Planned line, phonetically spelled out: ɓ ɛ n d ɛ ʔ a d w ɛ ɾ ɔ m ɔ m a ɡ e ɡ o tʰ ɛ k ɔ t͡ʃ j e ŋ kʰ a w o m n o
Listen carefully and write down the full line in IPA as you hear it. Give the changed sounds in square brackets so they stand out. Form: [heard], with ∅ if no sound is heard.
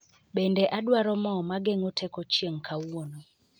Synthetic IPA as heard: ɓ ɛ n d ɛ ʔ a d w [a] ɾ ɔ m ɔ m a ɡ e [ŋ] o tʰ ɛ k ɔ t͡ʃ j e ŋ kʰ a w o [∅] n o